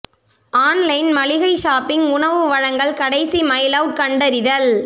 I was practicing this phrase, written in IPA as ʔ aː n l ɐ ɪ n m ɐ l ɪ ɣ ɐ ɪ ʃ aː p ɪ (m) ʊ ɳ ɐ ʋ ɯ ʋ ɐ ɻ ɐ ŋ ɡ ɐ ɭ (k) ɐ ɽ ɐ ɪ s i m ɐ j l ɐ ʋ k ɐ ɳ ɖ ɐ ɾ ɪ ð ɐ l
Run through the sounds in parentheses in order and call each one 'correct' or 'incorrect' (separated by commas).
incorrect, correct